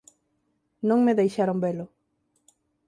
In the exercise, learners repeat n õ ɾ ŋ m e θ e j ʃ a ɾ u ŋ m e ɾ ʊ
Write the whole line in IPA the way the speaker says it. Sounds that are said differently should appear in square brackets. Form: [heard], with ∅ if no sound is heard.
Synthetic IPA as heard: n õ [∅] ŋ m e [ð] e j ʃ a ɾ [o] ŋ [b] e [l] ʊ